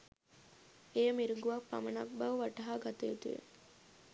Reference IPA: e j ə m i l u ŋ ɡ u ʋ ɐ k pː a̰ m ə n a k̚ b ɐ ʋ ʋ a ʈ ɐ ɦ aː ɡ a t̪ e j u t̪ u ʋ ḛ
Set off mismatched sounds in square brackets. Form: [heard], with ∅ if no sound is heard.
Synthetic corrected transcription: e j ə m i [ɾ] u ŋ ɡ u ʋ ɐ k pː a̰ m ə n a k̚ b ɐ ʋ ʋ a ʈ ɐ ɦ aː ɡ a t̪ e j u t̪ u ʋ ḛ